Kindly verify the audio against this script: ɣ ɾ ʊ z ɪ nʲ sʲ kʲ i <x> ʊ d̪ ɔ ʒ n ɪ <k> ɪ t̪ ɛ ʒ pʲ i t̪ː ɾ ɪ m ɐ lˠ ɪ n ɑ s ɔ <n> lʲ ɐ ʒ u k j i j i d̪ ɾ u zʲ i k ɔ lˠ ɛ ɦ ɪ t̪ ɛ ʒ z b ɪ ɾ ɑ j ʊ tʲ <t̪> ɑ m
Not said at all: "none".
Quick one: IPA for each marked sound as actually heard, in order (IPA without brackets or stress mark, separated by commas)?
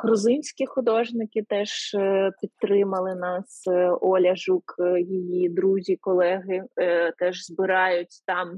x, k, none, t̪